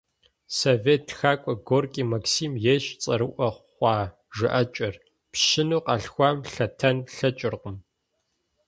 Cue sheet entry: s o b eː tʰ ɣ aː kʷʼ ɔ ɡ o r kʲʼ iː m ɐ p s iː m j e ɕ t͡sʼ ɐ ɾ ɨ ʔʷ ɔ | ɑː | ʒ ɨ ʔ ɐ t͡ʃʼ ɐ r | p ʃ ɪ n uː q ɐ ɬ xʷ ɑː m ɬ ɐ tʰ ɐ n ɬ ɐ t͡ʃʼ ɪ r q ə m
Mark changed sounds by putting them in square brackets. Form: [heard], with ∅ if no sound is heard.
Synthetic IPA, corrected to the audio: s o [v] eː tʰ [x] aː kʷʼ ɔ ɡ o r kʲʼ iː m ɐ [k] s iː m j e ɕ t͡sʼ ɐ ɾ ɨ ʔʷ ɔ | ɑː | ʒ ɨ ʔ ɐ t͡ʃʼ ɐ r | p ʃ ɪ n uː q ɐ ɬ xʷ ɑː m ɬ ɐ tʰ ɐ n ɬ ɐ t͡ʃʼ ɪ r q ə m

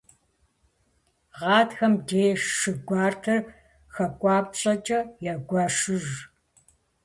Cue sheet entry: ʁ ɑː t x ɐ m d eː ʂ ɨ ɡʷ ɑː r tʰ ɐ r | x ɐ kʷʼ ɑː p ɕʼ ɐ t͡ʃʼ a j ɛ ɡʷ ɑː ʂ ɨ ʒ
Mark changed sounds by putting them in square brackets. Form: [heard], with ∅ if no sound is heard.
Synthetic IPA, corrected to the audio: ʁ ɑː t x ɐ m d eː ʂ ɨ ɡʷ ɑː r tʰ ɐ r | x ɐ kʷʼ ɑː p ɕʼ ɐ t͡ʃʼ [ɐ] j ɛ ɡʷ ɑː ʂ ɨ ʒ

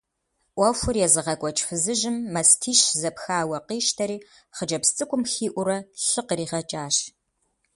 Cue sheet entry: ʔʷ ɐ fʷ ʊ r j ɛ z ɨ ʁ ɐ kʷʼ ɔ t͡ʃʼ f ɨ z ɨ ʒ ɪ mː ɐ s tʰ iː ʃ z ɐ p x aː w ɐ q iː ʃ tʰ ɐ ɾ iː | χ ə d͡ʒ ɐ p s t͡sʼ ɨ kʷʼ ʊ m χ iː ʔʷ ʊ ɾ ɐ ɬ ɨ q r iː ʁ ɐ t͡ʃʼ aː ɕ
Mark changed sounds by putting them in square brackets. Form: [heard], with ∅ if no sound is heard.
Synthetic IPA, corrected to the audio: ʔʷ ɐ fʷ ʊ r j ɛ z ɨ ʁ ɐ kʷʼ ɔ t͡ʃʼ f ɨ z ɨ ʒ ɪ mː ɐ s tʰ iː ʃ z ɐ p x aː w ɐ q iː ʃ tʰ ɐ ɾ iː | χ ə d͡ʒ ɐ p s t͡sʼ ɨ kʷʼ ʊ m [x] iː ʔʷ ʊ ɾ ɐ ɬ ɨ q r iː ʁ ɐ t͡ʃʼ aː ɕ

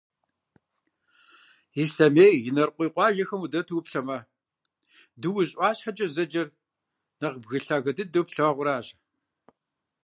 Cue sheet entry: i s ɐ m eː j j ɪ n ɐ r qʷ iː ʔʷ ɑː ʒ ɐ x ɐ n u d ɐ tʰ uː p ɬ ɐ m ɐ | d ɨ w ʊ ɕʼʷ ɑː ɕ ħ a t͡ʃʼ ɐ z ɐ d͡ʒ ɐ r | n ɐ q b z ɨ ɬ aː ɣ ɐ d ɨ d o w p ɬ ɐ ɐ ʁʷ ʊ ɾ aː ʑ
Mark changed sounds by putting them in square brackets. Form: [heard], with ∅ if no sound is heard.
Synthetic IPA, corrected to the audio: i s ɐ m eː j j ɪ n ɐ r qʷ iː [qʷ] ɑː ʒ ɐ x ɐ [m] u d ɐ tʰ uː p ɬ ɐ m ɐ | d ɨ w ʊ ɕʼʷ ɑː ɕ ħ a t͡ʃʼ ɐ z ɐ d͡ʒ ɐ r | n ɐ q b [ɣ] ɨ ɬ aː ɣ ɐ d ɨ d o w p ɬ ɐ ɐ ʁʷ ʊ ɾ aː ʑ

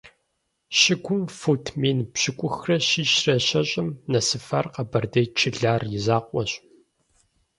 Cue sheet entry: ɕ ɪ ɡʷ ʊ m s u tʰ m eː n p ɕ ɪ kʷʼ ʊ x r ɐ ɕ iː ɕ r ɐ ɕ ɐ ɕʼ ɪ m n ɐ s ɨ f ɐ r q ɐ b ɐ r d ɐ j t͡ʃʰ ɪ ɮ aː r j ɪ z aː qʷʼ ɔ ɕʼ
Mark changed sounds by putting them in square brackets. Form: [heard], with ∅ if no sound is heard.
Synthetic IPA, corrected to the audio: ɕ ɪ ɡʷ ʊ m [f] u tʰ m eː n p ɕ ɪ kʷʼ ʊ x r ɐ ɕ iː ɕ r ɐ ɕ ɐ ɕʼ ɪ m n ɐ s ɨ f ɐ r q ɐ b ɐ r d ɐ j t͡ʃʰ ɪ ɮ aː r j ɪ z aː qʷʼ ɔ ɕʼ

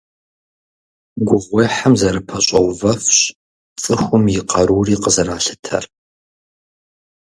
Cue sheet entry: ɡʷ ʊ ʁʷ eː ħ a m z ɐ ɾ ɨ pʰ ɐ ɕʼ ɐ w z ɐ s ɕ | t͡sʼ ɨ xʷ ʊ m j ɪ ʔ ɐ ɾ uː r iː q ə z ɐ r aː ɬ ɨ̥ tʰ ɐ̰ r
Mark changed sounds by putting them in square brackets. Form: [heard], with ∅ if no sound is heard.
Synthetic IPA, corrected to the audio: ɡʷ ʊ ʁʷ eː ħ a m z ɐ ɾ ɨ pʰ ɐ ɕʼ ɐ w [v] ɐ [f] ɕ | t͡sʼ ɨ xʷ ʊ m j ɪ [q] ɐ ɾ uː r iː q ə z ɐ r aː ɬ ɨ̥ tʰ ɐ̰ r

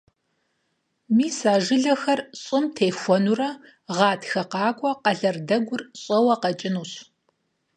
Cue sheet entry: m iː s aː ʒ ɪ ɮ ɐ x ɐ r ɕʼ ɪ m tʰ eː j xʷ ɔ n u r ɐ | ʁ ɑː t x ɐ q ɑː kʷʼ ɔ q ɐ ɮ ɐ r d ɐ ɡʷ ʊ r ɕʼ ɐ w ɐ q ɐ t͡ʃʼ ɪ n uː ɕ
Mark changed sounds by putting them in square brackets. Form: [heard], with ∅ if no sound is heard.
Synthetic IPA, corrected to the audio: m iː s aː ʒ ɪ ɮ ɐ x ɐ r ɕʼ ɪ m tʰ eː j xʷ ɔ n u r ɐ | ʁ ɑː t x ɐ q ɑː kʷʼ ɔ q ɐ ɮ ɐ r d ɐ ɡʷ ʊ r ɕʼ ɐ w ɐ q ɐ t͡ʃʼ ɪ n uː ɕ

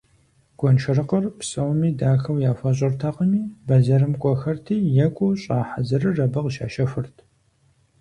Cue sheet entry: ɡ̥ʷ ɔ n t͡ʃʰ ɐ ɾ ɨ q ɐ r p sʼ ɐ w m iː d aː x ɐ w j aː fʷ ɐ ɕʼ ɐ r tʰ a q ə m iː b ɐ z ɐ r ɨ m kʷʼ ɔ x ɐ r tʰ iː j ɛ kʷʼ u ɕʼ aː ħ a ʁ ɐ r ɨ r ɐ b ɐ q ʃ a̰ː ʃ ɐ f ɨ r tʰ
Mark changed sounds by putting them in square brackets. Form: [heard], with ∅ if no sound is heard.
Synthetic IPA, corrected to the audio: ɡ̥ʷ ɔ n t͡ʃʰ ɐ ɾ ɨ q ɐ r p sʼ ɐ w m iː d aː x ɐ w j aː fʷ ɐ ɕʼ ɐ r tʰ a q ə m iː b ɐ z ɐ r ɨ m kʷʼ ɔ x ɐ r tʰ iː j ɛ kʷʼ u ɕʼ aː ħ a [z] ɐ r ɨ r ɐ b ɐ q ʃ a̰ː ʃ ɐ f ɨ r tʰ

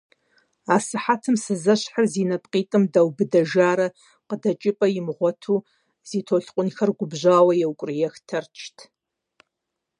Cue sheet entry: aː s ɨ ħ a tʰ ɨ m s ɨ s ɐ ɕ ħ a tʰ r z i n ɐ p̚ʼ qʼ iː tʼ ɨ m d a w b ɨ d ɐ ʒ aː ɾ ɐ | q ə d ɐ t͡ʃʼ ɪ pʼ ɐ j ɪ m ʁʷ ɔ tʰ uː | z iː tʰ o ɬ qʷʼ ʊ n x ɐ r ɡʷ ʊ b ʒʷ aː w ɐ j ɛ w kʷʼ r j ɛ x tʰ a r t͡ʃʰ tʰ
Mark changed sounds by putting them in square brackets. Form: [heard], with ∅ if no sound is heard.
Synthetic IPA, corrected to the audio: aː s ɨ ħ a tʰ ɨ m s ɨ [z] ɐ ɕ ħ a [∅] r z i n ɐ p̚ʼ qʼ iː tʼ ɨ m d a w b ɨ d ɐ ʒ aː ɾ ɐ | q ə d ɐ t͡ʃʼ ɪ pʼ ɐ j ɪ m ʁʷ ɔ tʰ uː | z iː tʰ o ɬ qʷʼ ʊ n x ɐ r ɡʷ ʊ b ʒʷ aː w ɐ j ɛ w kʷʼ r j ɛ x tʰ [ɐ] r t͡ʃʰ tʰ

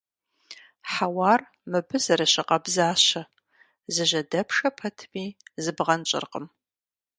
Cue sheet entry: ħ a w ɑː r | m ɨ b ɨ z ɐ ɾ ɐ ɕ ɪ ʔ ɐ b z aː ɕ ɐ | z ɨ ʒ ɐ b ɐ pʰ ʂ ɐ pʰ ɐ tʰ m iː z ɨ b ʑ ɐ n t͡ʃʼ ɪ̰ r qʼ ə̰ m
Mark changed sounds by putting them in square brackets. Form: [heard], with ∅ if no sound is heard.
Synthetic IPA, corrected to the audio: ħ a w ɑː r | m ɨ b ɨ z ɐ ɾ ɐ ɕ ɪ [q] ɐ b z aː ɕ ɐ | z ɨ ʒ ɐ [d] ɐ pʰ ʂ ɐ pʰ ɐ tʰ m iː z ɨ b [ʁ] ɐ n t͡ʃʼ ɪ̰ r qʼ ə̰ m

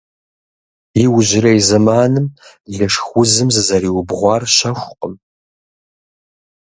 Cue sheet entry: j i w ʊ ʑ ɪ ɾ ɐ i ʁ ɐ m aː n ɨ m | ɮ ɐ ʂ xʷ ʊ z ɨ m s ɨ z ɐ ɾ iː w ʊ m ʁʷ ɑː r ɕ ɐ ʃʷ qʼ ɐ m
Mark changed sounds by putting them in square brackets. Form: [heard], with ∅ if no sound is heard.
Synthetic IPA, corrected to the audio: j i w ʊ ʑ ɪ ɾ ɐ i [z] ɐ m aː n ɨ m | ɮ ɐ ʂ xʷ ʊ z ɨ m [z] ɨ z ɐ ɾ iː w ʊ [b] ʁʷ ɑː r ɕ ɐ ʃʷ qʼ [ə] m

